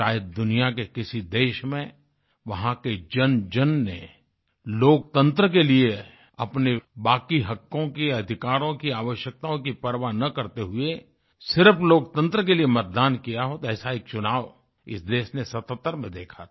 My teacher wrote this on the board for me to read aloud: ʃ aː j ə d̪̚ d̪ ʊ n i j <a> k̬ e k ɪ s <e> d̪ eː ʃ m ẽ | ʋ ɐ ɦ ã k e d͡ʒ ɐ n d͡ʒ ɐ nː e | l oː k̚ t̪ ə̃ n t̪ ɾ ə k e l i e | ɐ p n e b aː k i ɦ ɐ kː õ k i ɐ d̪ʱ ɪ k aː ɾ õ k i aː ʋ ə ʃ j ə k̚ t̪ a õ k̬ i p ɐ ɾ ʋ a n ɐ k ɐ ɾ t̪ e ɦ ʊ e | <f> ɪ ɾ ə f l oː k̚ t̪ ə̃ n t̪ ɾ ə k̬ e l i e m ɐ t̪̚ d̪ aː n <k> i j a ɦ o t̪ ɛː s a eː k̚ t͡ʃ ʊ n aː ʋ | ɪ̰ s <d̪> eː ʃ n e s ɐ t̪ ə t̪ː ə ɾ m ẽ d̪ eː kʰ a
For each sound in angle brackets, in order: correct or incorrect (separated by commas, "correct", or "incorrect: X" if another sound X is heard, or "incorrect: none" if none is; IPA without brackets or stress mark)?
correct, incorrect: i, incorrect: s, correct, correct